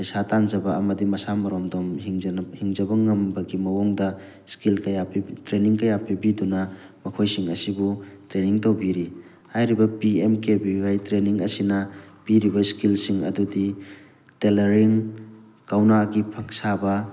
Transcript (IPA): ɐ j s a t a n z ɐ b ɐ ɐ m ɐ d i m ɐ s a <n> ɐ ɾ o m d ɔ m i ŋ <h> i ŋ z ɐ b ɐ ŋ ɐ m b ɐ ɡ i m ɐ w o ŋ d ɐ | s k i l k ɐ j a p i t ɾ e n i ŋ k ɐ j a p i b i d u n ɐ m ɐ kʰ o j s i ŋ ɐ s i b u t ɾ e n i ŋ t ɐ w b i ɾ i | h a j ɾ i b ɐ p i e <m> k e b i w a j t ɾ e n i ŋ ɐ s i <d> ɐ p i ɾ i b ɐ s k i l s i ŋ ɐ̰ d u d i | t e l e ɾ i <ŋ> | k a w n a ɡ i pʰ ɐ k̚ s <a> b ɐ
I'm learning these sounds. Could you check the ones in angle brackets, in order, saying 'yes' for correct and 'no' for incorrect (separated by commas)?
no, yes, yes, no, yes, yes